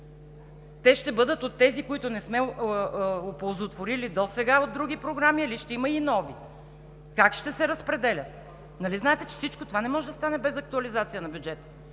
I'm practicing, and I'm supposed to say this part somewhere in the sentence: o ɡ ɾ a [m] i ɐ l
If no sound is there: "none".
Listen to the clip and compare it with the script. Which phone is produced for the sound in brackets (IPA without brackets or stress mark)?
m